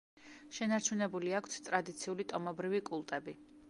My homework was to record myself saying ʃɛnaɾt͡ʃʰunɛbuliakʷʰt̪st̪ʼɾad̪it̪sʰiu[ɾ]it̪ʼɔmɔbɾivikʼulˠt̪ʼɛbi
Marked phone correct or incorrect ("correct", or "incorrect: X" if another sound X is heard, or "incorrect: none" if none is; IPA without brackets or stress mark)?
incorrect: l